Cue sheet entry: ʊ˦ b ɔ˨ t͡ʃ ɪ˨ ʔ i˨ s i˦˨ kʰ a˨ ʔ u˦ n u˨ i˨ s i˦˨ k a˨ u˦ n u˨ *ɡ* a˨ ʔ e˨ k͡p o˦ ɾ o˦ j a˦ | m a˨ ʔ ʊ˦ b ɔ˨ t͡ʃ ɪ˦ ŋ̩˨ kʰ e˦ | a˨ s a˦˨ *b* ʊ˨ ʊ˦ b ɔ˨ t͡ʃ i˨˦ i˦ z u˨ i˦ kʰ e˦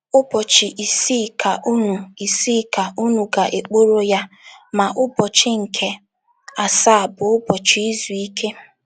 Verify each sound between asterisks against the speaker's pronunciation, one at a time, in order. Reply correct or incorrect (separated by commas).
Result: correct, correct